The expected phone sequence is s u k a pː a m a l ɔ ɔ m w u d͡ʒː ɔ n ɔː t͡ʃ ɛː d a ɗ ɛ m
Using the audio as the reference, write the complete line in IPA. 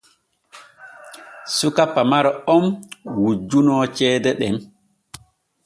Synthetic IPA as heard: s u k a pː a m a ɾ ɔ ɔ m w u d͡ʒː u n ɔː t͡ʃ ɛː d ɛ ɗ ɛ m